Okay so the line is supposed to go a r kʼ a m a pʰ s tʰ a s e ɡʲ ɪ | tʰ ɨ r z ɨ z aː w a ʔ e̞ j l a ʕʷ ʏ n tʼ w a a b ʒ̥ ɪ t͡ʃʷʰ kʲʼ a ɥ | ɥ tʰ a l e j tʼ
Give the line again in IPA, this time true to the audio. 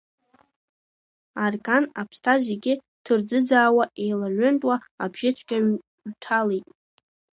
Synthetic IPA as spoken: a r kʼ a n a pʰ s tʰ a z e ɡʲ ɪ | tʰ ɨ r d͡z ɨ d͡z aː w a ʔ e̞ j l a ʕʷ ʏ n tʼ w a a b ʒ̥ ɪ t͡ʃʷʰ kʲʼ a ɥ | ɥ tʰ a l e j tʼ